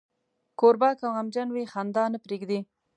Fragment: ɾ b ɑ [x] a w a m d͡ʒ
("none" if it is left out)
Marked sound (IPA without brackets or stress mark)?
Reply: k